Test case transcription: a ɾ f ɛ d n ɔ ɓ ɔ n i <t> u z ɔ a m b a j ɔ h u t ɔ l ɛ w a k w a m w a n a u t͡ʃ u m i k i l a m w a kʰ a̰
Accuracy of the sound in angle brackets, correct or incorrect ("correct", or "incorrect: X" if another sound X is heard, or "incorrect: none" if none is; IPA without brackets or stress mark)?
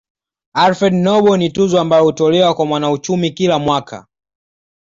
correct